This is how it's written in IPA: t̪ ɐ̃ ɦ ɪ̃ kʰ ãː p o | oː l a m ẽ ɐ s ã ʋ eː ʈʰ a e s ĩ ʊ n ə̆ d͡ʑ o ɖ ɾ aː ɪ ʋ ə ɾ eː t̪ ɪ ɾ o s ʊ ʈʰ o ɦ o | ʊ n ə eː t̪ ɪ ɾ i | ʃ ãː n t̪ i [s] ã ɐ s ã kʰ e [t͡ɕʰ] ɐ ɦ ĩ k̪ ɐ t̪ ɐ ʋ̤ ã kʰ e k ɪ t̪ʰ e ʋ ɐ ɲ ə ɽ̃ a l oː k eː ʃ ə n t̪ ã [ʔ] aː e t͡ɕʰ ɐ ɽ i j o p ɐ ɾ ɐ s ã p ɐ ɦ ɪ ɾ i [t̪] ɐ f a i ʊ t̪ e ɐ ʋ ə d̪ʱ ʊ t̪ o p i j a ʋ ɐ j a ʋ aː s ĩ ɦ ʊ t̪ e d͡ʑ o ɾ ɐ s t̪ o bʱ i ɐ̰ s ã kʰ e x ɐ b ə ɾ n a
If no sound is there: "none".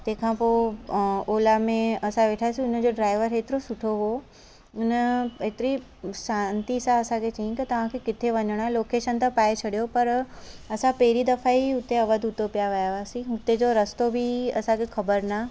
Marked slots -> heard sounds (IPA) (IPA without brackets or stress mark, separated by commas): s, t͡ɕ, p, d̪